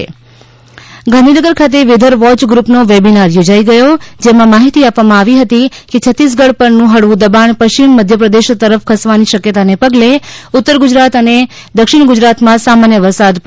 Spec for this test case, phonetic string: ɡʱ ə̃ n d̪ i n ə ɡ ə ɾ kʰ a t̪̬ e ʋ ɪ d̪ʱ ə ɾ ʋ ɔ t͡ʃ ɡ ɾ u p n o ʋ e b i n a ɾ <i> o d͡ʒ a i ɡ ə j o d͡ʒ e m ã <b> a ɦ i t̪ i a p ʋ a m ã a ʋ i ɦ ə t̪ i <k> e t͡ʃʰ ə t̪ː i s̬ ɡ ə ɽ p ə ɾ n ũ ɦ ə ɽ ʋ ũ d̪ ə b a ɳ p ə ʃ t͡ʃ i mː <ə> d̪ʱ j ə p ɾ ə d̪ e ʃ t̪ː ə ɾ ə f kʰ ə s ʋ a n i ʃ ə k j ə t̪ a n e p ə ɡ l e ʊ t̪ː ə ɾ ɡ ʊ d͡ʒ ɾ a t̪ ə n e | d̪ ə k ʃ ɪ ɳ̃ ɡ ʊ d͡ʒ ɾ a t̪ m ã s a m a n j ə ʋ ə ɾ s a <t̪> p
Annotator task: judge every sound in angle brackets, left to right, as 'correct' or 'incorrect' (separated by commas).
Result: incorrect, incorrect, correct, correct, incorrect